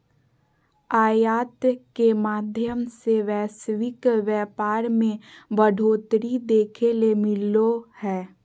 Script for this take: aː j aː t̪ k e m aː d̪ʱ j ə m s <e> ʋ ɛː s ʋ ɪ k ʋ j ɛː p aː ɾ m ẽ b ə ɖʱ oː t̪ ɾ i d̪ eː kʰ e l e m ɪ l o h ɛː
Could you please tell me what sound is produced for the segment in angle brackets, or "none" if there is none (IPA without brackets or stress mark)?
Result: e